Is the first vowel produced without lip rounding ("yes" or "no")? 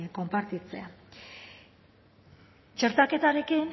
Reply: no